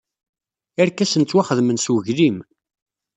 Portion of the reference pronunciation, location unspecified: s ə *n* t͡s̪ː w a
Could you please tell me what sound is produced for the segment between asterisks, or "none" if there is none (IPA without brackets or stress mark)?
n